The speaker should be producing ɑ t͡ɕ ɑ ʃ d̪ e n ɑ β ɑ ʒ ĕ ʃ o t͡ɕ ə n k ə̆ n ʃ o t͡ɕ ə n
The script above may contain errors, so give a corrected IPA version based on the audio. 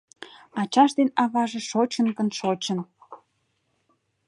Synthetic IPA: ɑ t͡ɕ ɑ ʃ d̪ e n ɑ β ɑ ʒ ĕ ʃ o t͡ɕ ə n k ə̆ n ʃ o t͡ɕ ə n